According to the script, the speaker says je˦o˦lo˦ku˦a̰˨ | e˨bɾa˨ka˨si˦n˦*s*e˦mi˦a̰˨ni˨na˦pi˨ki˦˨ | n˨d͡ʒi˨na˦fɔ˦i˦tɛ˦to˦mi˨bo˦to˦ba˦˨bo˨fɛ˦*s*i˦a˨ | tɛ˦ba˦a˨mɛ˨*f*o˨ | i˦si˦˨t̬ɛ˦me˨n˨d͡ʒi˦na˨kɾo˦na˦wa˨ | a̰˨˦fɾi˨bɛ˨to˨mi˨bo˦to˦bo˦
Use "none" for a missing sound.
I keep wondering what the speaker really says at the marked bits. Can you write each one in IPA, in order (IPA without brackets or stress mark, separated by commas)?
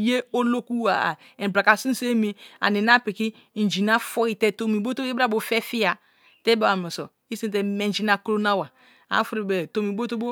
s, f, s